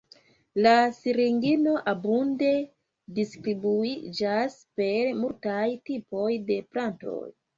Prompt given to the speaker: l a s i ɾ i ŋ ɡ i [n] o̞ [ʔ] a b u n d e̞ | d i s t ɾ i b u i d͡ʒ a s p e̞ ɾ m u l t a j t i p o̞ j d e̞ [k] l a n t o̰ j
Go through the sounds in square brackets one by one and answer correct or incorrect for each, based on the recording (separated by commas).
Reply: correct, correct, incorrect